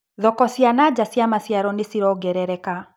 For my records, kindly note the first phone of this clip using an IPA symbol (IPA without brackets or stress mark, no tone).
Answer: ð